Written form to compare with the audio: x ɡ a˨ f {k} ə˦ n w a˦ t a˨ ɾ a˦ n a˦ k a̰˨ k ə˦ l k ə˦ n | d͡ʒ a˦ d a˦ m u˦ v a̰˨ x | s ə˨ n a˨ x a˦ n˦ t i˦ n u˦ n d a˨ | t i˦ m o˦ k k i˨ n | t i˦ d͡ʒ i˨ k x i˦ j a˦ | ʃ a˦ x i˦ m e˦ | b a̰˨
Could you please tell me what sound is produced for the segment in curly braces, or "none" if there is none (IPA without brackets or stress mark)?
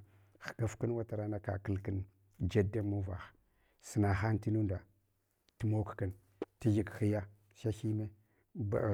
k